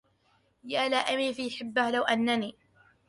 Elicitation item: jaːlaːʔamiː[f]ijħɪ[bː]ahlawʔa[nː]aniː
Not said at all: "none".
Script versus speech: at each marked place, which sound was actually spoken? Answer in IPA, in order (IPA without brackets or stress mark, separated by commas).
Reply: f, bː, nː